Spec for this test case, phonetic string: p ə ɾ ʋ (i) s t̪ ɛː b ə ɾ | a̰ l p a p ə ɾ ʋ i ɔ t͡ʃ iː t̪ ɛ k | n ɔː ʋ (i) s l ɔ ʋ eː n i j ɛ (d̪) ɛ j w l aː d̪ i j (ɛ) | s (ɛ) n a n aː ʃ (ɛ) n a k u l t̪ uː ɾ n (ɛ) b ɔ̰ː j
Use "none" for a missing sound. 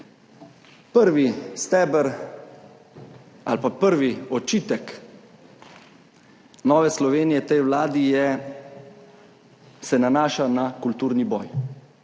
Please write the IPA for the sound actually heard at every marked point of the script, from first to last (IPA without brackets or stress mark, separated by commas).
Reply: i, ɛ, t̪, ɛ, ɛ, a, i